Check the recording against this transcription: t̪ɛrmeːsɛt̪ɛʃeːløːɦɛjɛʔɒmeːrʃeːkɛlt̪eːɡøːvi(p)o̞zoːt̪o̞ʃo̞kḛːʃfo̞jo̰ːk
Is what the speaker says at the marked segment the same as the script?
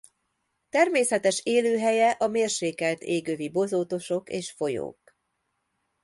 no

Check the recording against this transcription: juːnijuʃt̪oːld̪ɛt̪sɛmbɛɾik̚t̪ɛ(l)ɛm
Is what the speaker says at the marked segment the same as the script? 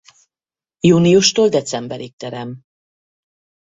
no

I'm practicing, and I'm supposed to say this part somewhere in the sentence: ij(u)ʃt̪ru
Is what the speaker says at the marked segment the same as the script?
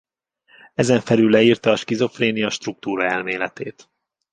no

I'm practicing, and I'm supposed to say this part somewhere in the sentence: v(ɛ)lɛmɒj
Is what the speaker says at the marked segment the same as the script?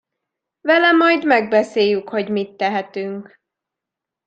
yes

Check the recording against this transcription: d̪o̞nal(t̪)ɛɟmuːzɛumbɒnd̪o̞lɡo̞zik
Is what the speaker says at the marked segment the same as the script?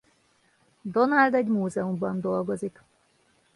no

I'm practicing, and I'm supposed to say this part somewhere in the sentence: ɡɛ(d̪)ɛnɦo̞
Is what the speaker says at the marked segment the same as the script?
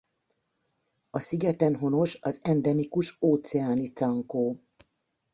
no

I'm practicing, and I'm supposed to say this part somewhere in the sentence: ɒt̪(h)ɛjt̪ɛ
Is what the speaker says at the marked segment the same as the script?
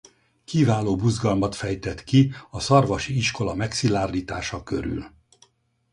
no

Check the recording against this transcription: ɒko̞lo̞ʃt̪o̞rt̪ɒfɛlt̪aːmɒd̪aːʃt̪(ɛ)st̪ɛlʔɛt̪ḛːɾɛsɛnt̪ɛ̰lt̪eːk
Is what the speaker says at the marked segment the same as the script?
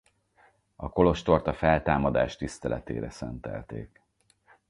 no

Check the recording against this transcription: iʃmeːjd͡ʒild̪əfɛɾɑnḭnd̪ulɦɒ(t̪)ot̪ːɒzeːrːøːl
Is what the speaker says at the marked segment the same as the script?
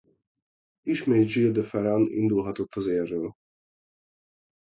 yes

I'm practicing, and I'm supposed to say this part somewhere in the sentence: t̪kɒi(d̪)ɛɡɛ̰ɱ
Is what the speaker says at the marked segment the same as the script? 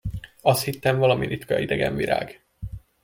yes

